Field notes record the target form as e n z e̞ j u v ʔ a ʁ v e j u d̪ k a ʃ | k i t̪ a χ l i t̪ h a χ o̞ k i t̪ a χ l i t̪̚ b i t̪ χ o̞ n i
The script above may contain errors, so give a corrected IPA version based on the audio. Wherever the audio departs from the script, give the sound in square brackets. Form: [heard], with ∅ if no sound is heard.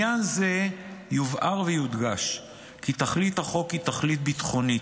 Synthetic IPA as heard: [a] n z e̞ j u v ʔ a ʁ v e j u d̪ [ɡ] a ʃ | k i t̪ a χ l i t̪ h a χ o̞ k i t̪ a χ l i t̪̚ b i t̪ χ o̞ n i